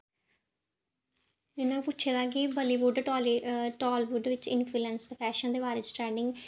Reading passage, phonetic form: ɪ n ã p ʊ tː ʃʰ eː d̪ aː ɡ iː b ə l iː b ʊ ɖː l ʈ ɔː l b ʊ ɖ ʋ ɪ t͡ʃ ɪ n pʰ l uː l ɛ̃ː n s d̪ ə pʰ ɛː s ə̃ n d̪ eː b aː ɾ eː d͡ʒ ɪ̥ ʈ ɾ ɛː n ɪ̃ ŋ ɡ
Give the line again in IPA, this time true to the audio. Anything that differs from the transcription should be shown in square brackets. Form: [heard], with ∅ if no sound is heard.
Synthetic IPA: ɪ n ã p ʊ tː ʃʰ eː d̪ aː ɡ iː b ə l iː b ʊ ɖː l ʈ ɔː l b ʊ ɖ ʋ ɪ t͡ʃ ɪ n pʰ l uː l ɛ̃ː n s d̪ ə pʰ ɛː [ʃ] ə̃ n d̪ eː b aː ɾ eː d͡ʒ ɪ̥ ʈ ɾ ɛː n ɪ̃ ŋ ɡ